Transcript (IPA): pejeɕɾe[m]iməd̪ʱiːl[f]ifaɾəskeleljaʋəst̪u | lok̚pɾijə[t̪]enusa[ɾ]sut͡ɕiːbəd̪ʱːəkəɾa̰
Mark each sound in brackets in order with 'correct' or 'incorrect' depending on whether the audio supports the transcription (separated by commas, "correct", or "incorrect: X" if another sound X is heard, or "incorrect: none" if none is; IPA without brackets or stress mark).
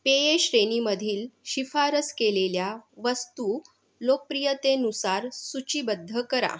incorrect: n, incorrect: ɕ, correct, correct